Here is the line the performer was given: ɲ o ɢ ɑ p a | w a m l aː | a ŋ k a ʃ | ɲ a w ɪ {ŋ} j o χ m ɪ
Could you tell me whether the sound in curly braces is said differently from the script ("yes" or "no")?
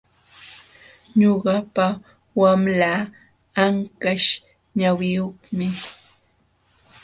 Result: yes